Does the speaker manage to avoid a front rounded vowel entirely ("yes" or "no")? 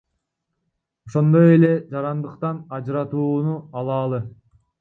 yes